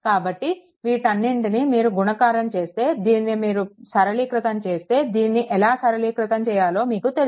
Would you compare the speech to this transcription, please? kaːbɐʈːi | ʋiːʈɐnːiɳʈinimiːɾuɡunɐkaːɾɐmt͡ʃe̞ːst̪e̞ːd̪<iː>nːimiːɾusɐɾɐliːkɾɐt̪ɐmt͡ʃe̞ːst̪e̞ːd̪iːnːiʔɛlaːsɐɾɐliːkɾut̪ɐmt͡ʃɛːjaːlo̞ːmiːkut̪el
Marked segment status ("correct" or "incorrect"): correct